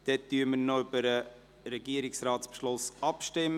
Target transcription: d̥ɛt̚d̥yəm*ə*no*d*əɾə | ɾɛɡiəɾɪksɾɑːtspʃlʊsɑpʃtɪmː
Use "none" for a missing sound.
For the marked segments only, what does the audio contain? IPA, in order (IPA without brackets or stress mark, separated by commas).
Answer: ə, b